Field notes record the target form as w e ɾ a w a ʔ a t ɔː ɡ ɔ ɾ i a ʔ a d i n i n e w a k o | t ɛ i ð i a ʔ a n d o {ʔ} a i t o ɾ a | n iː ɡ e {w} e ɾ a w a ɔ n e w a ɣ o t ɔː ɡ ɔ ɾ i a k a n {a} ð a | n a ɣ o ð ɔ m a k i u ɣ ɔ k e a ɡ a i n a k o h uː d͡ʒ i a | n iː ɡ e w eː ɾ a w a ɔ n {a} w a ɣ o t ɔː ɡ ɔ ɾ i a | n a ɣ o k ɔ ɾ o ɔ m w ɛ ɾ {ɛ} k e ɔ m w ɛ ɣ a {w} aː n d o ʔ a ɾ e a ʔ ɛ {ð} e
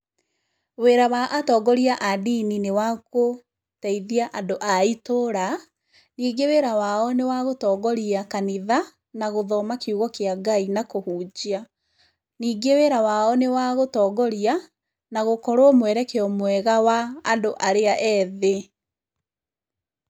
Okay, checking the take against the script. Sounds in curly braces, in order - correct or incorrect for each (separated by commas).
correct, correct, incorrect, incorrect, correct, correct, correct